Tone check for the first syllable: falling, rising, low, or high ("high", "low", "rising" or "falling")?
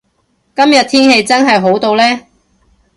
high